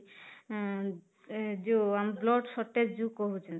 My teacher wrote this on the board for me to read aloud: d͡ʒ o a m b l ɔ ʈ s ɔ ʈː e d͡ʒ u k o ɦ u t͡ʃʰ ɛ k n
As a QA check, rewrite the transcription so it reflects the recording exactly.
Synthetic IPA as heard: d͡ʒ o a m b l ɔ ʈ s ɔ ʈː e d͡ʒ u k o ɦ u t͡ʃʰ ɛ n